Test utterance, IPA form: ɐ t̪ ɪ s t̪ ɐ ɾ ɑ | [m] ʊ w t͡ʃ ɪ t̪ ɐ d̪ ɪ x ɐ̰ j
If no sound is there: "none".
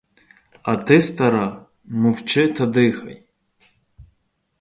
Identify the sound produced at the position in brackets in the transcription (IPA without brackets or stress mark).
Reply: m